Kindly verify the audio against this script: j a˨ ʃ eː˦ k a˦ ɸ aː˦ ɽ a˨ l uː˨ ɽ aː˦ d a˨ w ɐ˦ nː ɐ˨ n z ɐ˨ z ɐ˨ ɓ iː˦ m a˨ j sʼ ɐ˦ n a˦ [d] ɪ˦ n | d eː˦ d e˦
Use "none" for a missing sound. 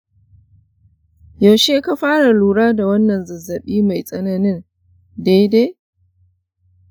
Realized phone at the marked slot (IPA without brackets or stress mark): n